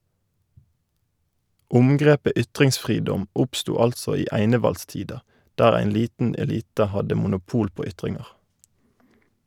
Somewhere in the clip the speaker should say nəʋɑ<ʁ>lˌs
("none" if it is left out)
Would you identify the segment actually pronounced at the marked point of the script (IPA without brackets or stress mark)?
none